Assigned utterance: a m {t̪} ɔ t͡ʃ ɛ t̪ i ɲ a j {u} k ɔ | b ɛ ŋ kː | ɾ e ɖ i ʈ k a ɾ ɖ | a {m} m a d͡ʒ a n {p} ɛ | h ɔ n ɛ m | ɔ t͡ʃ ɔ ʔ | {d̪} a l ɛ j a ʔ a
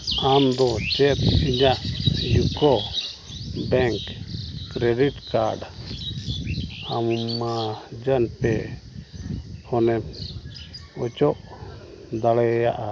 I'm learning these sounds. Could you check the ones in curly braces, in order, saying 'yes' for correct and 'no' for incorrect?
no, yes, yes, yes, yes

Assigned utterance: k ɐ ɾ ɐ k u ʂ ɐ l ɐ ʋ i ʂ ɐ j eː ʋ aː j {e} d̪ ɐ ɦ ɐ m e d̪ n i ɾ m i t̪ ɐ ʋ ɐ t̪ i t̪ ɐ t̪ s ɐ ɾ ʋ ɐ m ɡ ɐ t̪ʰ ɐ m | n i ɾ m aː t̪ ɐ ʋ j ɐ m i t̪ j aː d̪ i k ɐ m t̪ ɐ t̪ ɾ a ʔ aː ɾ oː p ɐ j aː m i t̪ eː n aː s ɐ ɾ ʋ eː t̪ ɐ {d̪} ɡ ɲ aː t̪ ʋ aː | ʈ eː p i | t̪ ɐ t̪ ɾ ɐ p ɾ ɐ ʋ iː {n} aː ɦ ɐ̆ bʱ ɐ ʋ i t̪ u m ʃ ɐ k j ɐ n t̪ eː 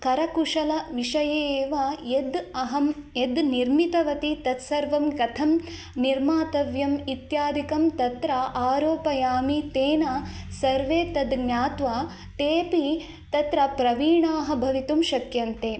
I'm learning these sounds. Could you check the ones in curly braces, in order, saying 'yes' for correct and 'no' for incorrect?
yes, yes, no

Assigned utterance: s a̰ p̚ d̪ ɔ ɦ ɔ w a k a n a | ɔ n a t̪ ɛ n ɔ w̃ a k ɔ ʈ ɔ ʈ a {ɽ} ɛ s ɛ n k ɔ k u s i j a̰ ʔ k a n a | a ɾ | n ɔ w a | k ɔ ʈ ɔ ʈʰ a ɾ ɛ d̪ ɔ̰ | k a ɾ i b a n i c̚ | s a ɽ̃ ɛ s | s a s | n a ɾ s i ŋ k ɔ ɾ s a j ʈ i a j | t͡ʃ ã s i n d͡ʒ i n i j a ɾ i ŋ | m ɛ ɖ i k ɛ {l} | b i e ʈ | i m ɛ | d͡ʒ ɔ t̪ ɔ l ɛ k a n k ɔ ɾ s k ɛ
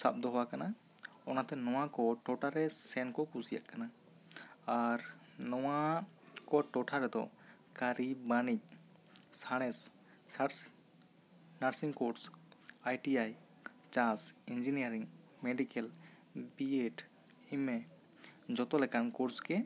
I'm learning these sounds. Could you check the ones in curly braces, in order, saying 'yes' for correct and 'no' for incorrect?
no, yes

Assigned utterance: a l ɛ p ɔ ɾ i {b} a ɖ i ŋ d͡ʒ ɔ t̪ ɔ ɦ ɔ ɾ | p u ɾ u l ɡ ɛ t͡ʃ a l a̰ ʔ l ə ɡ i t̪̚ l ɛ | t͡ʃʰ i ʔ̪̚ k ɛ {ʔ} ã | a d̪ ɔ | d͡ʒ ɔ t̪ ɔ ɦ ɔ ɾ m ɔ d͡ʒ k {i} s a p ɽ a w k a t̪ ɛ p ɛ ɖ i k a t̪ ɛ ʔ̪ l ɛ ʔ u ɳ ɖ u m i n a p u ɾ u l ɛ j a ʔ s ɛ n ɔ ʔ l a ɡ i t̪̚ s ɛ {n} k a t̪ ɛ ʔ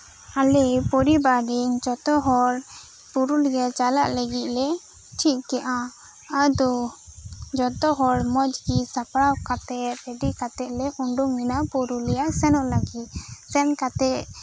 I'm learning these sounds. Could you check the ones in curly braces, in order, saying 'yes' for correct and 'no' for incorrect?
yes, yes, yes, yes

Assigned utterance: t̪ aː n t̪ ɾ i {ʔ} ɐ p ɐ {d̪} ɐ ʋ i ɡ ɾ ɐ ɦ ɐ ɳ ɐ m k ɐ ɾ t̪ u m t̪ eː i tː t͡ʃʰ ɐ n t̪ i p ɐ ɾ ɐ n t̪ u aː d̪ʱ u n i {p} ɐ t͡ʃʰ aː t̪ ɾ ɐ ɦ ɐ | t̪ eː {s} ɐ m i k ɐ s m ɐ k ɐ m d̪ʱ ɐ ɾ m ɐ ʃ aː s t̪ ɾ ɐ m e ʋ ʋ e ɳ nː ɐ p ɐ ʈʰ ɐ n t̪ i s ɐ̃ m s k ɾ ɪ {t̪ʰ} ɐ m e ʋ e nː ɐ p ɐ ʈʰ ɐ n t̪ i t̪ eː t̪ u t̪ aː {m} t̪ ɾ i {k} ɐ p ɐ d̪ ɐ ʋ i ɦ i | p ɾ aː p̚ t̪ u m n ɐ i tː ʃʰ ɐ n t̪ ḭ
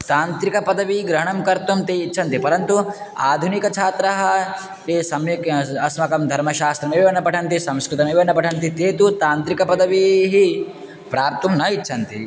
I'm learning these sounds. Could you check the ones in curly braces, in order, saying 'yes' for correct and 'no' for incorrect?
no, yes, no, yes, no, no, yes

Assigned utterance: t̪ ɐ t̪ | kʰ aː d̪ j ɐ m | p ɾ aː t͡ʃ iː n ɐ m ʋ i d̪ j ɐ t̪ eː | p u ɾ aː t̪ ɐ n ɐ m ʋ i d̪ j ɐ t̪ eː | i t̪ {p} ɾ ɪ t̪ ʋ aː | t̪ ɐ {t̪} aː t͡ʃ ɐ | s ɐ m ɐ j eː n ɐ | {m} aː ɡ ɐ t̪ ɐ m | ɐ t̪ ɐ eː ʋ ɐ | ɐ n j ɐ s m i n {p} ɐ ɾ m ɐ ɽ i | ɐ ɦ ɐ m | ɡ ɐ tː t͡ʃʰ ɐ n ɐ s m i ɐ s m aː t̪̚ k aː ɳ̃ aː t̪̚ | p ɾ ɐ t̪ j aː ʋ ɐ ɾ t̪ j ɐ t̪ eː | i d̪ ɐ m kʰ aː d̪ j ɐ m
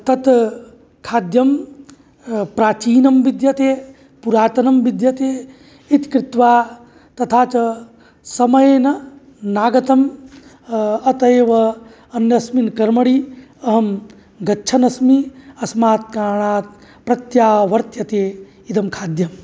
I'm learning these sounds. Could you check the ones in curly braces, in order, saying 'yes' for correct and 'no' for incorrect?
no, no, no, no

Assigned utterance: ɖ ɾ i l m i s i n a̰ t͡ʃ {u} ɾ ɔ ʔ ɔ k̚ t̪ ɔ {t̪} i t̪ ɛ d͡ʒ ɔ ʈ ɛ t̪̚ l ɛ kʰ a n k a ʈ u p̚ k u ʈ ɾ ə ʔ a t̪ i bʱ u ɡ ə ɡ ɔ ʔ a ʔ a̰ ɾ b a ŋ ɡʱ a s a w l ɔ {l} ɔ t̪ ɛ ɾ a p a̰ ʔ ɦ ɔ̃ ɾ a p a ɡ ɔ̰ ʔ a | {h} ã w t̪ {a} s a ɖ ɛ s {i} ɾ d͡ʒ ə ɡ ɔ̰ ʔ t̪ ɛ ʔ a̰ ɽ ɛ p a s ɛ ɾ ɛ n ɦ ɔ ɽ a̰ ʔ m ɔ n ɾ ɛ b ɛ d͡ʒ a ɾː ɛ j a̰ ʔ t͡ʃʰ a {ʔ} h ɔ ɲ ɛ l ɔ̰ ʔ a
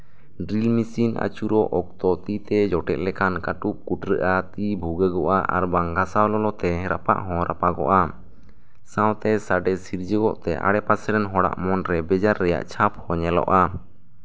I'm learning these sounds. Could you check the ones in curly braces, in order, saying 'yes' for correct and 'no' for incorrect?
yes, yes, yes, no, no, yes, no

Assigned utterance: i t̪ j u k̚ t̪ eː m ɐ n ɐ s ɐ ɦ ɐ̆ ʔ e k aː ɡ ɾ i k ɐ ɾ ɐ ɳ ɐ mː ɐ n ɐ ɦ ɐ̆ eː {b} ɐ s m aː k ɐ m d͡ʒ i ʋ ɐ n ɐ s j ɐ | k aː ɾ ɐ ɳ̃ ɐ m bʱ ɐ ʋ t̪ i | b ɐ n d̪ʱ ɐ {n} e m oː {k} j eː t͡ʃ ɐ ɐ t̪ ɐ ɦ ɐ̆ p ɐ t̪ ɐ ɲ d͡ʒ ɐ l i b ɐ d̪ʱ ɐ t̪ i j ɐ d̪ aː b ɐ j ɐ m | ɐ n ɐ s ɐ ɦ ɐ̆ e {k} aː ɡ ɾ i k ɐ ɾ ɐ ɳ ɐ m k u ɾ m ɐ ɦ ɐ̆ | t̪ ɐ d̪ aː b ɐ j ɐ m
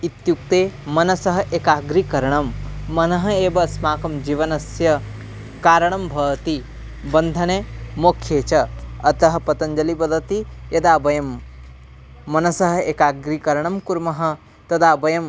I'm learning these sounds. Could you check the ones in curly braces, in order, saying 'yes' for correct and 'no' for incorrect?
yes, yes, no, yes

